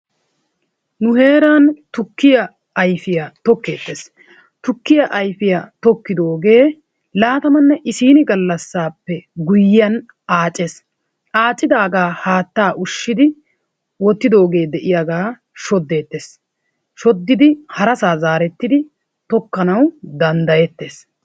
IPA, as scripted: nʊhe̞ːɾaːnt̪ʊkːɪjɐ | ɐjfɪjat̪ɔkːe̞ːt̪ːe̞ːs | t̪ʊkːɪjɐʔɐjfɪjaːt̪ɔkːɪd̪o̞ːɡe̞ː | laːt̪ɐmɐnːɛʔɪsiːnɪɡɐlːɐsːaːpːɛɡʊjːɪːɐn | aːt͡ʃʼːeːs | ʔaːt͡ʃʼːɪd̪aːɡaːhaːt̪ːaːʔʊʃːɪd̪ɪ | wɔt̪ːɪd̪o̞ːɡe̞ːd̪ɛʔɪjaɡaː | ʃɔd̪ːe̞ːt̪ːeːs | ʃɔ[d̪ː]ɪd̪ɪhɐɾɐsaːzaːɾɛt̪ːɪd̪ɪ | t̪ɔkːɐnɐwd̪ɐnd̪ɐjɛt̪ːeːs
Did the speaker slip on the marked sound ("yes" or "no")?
no